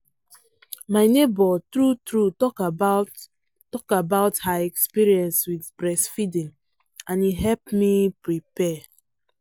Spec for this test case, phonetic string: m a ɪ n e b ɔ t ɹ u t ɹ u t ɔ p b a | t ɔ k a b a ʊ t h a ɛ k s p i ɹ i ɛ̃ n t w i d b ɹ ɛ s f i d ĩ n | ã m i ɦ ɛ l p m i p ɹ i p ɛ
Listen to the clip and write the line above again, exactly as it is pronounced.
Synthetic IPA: m a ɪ n e b ɔ t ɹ u t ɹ u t ɔ k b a | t ɔ k a b a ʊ t h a ɛ k s p i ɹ i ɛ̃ n s w i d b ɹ ɛ s f i d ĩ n | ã n i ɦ ɛ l p m i p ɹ i p ɛ